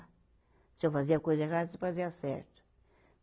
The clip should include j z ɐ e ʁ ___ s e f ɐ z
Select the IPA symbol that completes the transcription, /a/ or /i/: a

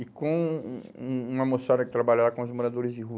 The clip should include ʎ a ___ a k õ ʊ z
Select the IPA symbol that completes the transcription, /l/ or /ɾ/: ɾ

